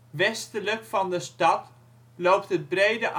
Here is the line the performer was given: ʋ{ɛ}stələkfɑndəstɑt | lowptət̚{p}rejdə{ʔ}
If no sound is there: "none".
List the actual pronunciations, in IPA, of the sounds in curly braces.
ɛ, b, ʔ

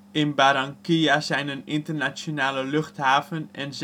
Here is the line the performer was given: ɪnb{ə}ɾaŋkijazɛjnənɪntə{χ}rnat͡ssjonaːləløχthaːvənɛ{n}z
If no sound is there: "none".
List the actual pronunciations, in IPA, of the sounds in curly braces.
a, none, n

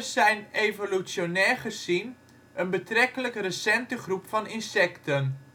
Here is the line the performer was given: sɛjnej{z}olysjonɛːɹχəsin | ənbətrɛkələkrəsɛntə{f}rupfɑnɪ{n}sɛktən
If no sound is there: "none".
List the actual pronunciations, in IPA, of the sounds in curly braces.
v, χ, n

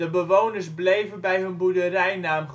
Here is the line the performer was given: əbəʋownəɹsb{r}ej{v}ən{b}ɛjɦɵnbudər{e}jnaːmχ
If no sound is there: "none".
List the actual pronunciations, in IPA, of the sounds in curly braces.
l, v, b, ɛ

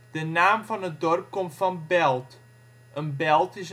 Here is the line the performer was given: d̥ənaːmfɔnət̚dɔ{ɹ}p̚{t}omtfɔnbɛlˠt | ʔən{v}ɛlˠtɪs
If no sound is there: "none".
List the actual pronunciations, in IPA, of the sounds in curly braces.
r, k, b

